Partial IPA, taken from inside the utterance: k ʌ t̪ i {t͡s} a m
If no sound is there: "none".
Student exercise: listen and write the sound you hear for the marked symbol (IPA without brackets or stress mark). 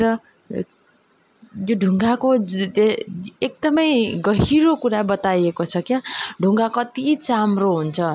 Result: t͡s